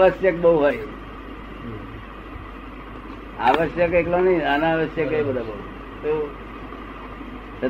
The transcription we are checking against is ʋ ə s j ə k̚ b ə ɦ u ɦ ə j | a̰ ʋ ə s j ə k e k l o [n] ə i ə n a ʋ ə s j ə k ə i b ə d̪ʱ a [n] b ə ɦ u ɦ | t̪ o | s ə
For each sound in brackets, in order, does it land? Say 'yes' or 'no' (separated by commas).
yes, no